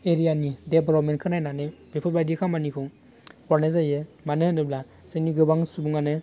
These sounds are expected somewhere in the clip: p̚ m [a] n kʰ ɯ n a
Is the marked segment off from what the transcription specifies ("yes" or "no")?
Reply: yes